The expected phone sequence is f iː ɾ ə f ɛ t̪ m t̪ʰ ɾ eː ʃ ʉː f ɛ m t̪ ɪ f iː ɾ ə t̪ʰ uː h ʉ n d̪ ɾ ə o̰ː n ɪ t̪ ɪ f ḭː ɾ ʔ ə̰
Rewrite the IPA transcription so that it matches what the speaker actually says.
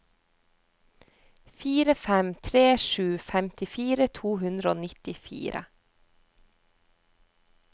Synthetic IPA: f iː ɾ ə f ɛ m t̪ʰ ɾ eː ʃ ʉː f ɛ m t̪ ɪ f iː ɾ ə t̪ʰ uː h ʉ n d̪ ɾ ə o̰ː n ɪ t̪ ɪ f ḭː ɾ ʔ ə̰